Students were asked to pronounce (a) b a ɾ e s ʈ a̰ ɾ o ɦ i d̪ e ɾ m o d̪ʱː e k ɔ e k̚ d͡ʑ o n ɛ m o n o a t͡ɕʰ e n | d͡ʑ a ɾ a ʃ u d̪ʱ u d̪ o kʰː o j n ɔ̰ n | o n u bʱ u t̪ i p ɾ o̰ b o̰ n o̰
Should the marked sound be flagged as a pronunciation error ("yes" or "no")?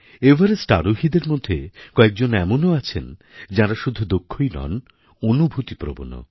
yes